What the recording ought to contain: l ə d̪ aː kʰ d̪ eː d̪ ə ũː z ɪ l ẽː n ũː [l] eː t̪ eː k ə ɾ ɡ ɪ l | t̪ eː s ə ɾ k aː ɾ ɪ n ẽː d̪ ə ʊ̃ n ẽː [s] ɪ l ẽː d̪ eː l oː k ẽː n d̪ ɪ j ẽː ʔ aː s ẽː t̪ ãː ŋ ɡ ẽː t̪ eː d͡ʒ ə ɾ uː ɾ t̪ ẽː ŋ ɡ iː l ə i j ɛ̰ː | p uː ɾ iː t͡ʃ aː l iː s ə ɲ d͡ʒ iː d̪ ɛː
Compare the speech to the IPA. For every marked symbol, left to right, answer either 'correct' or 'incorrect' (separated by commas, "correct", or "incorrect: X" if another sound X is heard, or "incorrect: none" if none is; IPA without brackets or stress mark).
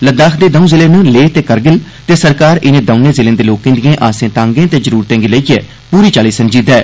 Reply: correct, incorrect: z